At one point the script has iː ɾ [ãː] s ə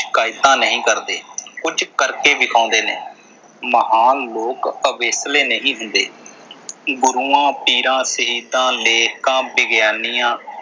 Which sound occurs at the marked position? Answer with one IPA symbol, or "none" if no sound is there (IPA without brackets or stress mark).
ãː